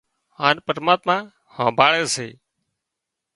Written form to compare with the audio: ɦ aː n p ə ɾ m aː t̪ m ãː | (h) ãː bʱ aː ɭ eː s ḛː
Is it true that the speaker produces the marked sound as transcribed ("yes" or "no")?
yes